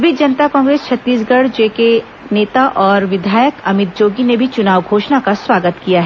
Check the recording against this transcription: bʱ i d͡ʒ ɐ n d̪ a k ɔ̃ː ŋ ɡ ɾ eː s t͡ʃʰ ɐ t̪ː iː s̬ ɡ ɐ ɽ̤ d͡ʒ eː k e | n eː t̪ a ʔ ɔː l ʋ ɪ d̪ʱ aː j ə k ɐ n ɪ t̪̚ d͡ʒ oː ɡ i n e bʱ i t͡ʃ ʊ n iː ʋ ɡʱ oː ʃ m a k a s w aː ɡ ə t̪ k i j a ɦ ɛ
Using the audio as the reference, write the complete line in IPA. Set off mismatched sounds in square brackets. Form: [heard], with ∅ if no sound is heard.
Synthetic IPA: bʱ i d͡ʒ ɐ n [t̪] a k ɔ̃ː ŋ ɡ ɾ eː s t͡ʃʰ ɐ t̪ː iː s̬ ɡ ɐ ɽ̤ d͡ʒ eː k e | n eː t̪ a ʔ ɔː [ɾ] ʋ ɪ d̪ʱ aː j ə k ɐ [m] ɪ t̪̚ d͡ʒ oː ɡ i n e bʱ i t͡ʃ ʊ n [aː] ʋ ɡʱ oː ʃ [n] a k a s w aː ɡ ə t̪ k i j a ɦ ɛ

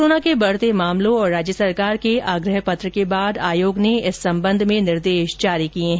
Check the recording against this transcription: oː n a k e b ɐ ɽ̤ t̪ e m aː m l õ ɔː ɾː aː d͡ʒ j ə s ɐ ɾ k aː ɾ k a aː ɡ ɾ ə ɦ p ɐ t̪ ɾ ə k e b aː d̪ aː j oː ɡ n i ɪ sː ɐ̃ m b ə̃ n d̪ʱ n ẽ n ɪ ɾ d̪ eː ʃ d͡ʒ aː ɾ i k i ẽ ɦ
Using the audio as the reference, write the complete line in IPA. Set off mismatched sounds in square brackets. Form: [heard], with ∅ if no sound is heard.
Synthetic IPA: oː n a k e b ɐ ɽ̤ t̪ e m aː m l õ ɔː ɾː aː d͡ʒ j ə s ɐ ɾ k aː ɾ k [e] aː ɡ ɾ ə ɦ p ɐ t̪ ɾ ə k e b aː d̪ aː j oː ɡ n [e] ɪ sː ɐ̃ m b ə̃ n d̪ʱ [m] ẽ n ɪ ɾ d̪ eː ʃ d͡ʒ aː ɾ i k i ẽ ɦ

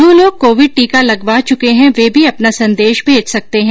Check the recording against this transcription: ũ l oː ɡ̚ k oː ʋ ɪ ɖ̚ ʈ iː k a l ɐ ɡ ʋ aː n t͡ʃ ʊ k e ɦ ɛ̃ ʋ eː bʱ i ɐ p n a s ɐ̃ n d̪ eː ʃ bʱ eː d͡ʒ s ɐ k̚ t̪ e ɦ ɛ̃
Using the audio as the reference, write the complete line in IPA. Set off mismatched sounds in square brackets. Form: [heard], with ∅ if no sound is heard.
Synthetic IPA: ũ l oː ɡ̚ k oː ʋ ɪ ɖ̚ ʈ iː k a l ɐ ɡ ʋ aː [∅] t͡ʃ ʊ k e ɦ ɛ̃ ʋ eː bʱ i ɐ p n a s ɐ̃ n d̪ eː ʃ bʱ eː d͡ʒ s ɐ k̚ t̪ e ɦ ɛ̃

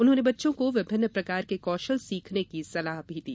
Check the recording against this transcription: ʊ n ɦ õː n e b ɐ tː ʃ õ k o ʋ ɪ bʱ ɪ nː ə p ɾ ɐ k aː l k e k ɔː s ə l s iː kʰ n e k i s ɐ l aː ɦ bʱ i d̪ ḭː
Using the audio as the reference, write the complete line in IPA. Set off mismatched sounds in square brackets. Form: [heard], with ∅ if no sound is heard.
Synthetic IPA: ʊ n ɦ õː n e b ɐ tː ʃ õ k o ʋ ɪ bʱ ɪ nː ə p ɾ ɐ k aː [ɾ] k e k ɔː [ʃ] ə l s iː kʰ n e k i s ɐ l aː ɦ bʱ i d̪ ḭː

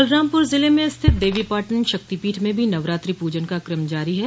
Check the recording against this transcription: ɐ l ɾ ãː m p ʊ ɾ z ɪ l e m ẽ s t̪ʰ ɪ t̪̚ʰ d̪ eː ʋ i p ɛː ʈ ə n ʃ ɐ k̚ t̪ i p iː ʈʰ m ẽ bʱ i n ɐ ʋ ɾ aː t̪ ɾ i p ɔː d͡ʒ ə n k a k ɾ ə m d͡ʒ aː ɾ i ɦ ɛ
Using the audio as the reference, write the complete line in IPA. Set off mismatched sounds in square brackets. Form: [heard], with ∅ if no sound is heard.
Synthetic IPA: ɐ l ɾ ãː m p ʊ ɾ z ɪ l e m ẽ s t̪ʰ ɪ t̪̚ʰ d̪ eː ʋ i p [aː] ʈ ə n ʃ ɐ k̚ t̪ i p iː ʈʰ m ẽ bʱ i n ɐ ʋ ɾ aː t̪ ɾ i p [uː] d͡ʒ ə n k a k ɾ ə m d͡ʒ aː ɾ i ɦ ɛ

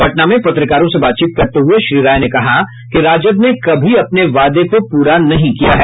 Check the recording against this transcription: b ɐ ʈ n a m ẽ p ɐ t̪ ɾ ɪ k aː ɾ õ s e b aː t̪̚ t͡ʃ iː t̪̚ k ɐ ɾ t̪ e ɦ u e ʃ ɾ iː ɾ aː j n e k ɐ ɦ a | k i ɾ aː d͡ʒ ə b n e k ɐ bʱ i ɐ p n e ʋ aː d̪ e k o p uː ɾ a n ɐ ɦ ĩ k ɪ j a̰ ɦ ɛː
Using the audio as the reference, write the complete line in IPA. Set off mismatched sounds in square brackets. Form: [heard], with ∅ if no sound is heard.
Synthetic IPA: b ɐ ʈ n a m ẽ p ɐ t̪ ɾ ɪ k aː ɾ õ s e b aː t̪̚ t͡ʃ iː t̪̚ k ɐ ɾ t̪ e ɦ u e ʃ ɾ iː ɾ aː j n e k ɐ ɦ a | k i ɾ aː d͡ʒ ə b n e k ɐ bʱ i ɐ p n e ʋ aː d̪ e k o p uː ɾ a n ɐ ɦ ĩ k [i] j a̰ ɦ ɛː

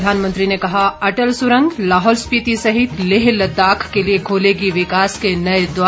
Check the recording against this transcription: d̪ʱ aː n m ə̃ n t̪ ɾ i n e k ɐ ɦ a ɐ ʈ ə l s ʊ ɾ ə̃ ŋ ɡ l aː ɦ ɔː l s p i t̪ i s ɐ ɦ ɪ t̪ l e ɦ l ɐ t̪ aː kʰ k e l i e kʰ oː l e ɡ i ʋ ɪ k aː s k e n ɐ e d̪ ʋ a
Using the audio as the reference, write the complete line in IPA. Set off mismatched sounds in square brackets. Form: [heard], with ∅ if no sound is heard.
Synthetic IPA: d̪ʱ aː n m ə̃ n t̪ ɾ i n e k ɐ ɦ a ɐ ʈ ə l s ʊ ɾ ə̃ ŋ ɡ l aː ɦ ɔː l s p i t̪ i s ɐ ɦ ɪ t̪ l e ɦ l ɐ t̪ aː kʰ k e l i e kʰ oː l e ɡ i ʋ ɪ k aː s k e n ɐ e d̪ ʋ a

